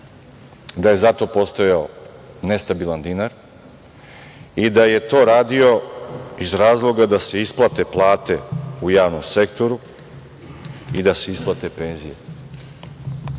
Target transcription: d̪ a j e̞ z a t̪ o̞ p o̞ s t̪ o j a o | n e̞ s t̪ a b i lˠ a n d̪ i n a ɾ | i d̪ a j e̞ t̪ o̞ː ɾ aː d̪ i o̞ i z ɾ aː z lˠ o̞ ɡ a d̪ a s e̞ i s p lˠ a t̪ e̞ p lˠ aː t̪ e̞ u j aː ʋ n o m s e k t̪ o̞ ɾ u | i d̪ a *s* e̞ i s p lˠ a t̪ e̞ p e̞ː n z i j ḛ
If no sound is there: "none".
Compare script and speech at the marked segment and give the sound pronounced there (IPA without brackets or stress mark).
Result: s